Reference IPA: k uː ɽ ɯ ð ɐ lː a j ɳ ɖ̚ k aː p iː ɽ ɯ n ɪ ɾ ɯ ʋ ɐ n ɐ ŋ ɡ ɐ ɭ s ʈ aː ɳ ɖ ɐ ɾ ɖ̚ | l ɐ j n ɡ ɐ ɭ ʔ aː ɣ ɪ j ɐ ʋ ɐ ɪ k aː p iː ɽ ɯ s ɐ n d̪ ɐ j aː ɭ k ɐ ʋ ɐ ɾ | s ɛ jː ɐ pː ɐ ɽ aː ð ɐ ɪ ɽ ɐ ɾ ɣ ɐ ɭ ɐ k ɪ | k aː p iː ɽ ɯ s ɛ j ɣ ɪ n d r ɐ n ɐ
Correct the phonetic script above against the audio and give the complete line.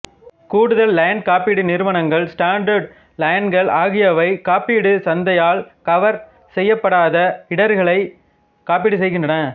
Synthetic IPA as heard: k uː ɽ ɯ ð ɐ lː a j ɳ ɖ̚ k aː p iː ɽ ɯ n ɪ ɾ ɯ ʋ ɐ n ɐ ŋ ɡ ɐ ɭ s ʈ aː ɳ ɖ ɐ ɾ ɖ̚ | l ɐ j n ɡ ɐ ɭ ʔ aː ɣ ɪ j ɐ ʋ ɐ ɪ k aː p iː ɽ ɯ s ɐ n d̪ ɐ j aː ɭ k ɐ ʋ ɐ ɾ | s ɛ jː ɐ pː ɐ ɽ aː ð ɐ ɪ ɽ ɐ ɾ ɣ ɐ ɭ ɐ ɪ | k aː p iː ɽ ɯ s ɛ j ɣ ɪ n d r ɐ n ɐ